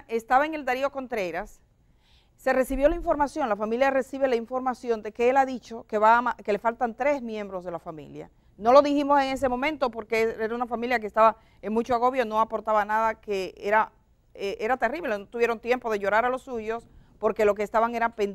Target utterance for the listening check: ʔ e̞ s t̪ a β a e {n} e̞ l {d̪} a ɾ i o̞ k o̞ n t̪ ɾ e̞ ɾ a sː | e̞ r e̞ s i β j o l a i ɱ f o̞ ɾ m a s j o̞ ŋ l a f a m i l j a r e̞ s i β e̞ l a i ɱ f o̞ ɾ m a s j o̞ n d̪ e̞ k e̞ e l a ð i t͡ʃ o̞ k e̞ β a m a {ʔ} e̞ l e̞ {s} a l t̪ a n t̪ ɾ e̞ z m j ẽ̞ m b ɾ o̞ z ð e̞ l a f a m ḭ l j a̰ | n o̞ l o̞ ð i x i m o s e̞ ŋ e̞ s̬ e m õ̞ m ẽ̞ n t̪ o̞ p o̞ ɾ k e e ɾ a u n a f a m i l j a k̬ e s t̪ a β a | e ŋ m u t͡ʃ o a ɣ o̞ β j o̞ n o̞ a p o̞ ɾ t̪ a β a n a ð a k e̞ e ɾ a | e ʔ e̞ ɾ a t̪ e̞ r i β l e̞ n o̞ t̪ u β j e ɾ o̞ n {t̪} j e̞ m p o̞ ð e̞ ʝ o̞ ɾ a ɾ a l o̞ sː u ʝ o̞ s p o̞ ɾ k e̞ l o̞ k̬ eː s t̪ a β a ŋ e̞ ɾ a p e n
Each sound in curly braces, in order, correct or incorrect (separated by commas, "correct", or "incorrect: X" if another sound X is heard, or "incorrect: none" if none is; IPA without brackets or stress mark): incorrect: ŋ, correct, incorrect: k, incorrect: f, correct